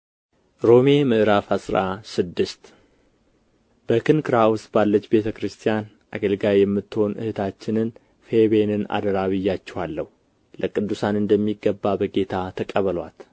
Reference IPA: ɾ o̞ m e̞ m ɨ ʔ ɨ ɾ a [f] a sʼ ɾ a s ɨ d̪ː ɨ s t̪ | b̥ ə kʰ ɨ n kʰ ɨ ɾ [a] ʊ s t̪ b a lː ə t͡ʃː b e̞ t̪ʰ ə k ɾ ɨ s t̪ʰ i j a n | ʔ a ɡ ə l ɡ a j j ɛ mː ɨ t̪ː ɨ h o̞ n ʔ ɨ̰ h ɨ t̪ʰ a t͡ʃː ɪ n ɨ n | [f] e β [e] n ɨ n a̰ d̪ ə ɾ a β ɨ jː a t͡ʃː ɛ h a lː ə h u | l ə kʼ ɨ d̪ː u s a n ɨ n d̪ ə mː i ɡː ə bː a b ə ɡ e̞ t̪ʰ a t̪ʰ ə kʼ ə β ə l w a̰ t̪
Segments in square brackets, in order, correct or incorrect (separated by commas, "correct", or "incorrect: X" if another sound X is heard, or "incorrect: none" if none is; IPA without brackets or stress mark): correct, correct, correct, correct